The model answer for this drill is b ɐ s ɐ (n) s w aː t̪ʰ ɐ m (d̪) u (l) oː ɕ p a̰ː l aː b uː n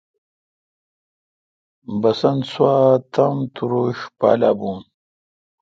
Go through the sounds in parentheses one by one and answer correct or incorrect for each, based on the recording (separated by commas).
correct, incorrect, incorrect